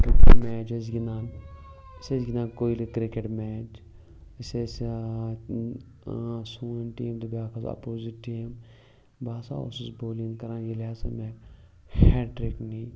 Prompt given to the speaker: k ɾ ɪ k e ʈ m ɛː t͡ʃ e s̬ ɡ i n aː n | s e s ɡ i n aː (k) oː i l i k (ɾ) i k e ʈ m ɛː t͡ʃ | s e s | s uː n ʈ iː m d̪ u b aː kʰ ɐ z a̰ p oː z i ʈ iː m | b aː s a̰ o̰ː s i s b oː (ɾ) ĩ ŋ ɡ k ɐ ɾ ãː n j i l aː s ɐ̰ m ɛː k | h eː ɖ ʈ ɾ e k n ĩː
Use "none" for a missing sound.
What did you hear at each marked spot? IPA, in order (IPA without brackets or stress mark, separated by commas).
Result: k, ɾ, l